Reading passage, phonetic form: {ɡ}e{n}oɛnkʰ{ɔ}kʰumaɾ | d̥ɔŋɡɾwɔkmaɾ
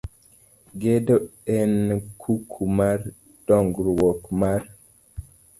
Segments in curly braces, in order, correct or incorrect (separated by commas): correct, incorrect, incorrect